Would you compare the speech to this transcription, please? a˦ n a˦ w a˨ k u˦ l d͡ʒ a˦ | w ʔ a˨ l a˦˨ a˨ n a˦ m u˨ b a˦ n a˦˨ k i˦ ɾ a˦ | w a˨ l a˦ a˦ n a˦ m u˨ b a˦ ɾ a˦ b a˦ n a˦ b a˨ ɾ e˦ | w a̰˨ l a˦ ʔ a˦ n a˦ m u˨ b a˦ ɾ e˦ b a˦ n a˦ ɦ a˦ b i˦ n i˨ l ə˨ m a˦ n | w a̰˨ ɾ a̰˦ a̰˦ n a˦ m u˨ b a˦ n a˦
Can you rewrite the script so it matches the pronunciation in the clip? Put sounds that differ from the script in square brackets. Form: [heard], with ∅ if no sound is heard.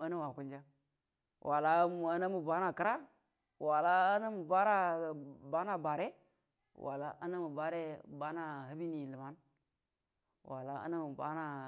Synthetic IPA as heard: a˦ n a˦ w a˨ k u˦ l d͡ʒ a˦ | w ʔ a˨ l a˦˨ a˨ n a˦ m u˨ b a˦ n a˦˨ k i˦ ɾ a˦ | w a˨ l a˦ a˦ n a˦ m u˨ b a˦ ɾ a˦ b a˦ n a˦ b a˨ ɾ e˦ | w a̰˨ l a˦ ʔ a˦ n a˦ m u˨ b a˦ ɾ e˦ b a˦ n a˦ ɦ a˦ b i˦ n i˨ l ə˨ m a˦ n | w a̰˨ [l] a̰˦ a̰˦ n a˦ m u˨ b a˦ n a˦